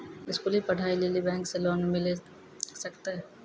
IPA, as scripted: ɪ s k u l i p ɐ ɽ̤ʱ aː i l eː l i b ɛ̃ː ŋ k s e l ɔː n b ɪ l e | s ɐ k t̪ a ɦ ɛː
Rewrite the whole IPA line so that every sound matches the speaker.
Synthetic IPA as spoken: ɪ s k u l i p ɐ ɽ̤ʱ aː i l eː l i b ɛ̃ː ŋ k s e l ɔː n m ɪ l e | s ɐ k t̪ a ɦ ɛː